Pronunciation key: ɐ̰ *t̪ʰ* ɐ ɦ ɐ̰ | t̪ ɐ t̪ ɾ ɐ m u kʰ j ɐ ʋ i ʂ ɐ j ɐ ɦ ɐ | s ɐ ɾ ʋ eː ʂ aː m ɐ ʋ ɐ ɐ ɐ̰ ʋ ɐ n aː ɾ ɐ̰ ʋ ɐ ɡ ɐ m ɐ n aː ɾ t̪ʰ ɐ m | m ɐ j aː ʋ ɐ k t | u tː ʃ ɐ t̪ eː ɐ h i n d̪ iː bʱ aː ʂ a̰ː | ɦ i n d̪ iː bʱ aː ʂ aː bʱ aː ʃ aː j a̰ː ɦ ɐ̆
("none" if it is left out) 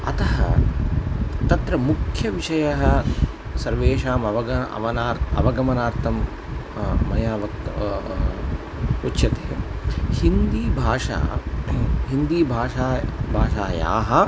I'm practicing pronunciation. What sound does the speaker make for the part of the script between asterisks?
t̪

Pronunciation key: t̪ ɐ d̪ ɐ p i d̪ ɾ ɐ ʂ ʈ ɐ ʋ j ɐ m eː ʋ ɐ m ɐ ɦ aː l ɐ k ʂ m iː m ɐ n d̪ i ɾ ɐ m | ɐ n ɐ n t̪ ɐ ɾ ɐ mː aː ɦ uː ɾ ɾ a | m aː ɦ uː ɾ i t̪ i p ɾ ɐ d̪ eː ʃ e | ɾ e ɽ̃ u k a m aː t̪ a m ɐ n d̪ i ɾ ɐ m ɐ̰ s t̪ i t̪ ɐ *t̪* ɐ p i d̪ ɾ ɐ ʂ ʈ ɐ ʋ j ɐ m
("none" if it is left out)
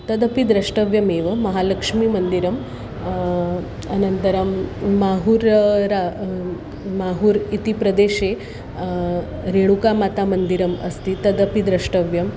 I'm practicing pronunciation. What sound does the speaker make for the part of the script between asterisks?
d̪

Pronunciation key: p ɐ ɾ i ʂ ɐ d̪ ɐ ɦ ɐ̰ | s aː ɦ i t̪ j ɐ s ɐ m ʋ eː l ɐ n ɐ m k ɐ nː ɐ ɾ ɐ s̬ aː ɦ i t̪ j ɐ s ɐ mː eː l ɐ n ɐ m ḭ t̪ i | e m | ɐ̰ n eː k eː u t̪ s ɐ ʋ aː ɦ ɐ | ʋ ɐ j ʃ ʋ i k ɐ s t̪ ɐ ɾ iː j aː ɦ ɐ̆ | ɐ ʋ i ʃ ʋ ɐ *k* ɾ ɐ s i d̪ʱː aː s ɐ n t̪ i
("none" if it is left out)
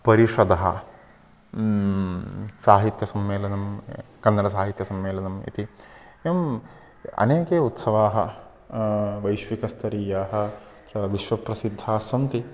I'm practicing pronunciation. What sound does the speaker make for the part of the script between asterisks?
p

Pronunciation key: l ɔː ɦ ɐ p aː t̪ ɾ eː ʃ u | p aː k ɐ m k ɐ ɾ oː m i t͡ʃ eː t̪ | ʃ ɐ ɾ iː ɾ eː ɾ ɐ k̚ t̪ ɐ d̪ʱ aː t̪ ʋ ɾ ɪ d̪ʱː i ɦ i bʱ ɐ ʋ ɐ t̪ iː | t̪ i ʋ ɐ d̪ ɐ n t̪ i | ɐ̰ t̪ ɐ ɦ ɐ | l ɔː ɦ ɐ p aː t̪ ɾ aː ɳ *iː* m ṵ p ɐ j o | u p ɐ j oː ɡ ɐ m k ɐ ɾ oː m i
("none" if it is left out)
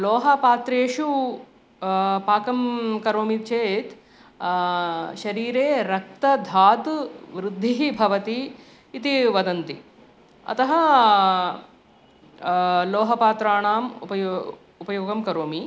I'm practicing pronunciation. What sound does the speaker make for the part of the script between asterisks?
aː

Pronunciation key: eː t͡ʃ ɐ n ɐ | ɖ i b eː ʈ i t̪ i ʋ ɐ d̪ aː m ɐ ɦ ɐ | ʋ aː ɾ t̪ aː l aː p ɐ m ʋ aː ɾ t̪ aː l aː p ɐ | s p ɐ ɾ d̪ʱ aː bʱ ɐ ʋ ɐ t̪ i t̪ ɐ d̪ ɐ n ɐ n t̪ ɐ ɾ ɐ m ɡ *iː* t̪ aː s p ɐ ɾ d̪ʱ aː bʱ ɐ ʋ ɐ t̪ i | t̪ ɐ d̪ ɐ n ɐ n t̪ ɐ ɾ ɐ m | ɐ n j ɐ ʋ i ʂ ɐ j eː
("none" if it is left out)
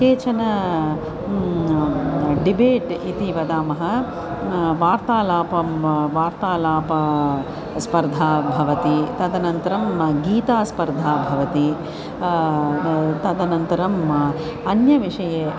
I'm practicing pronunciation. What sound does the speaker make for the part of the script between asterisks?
iː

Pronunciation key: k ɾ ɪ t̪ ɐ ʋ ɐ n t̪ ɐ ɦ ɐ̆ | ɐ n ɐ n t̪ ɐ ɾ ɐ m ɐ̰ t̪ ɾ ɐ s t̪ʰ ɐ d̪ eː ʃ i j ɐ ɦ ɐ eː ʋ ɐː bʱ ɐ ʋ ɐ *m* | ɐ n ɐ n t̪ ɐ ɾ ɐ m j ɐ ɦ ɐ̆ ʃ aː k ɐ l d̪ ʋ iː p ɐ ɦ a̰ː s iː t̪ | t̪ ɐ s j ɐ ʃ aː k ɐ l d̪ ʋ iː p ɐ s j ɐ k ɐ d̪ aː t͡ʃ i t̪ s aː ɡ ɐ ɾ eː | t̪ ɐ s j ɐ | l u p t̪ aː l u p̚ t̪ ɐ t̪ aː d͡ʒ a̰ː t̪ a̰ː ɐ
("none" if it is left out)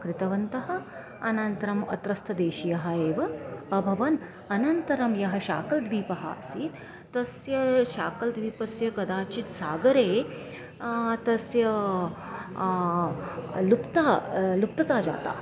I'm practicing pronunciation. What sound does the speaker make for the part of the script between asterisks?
n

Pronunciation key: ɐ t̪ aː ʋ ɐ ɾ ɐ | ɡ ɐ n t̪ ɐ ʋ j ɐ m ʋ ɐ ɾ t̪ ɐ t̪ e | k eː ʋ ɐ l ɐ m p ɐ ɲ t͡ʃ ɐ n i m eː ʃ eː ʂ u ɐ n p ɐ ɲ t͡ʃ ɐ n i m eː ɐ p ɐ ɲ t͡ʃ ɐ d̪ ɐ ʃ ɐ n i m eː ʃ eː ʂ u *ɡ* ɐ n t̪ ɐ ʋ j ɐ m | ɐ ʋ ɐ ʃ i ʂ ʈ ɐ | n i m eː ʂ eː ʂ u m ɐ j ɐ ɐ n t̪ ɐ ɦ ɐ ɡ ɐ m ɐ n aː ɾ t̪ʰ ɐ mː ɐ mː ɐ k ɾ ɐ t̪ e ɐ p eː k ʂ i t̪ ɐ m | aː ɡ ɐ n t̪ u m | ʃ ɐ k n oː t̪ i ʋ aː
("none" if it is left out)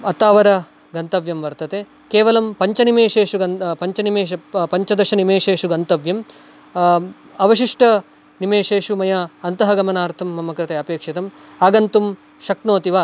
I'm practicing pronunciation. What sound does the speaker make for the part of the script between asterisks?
ɡ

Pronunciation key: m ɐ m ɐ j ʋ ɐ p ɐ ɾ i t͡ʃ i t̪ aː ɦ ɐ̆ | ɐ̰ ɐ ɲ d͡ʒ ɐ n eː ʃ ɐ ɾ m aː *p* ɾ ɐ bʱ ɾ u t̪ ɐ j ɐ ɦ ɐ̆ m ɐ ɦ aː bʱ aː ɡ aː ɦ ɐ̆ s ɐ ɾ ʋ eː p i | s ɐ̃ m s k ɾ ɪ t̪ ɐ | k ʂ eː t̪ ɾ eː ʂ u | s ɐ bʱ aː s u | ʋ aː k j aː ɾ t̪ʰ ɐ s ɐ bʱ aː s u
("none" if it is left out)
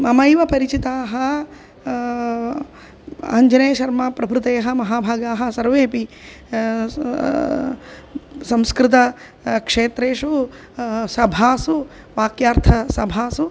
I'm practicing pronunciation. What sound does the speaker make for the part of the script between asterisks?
p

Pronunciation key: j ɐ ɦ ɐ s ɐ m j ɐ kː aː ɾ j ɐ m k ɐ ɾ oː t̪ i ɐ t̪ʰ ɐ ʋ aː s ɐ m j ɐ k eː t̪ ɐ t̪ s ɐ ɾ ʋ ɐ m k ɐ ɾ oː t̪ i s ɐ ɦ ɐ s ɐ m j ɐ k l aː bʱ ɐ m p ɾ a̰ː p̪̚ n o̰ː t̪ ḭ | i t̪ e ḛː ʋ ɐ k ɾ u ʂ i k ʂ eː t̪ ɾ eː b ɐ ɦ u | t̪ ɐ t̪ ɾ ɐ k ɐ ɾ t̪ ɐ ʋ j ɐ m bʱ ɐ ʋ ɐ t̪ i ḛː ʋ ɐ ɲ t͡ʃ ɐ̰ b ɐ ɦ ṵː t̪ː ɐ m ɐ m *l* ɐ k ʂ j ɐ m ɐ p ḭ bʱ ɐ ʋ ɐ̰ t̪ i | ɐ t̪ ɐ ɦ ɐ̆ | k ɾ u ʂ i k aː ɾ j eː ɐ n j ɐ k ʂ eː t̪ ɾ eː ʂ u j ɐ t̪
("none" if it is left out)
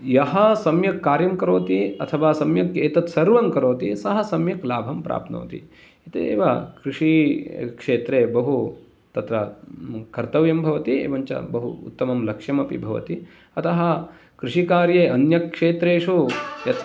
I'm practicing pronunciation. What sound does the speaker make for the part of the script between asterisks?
l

